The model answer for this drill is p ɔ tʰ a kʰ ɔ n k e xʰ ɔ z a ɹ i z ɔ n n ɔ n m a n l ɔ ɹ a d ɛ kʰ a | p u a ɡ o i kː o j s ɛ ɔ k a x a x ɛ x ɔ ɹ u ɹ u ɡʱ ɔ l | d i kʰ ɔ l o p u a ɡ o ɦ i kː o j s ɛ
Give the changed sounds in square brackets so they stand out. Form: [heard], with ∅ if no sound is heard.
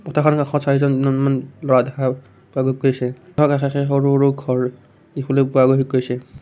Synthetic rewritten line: p ɔ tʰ a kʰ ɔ n k [a] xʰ ɔ [s] a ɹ i z ɔ n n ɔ n m a n l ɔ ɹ a d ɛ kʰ a | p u a ɡ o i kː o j s ɛ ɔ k a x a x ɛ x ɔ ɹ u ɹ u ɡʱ ɔ [ɹ] | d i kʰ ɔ l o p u a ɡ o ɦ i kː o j s ɛ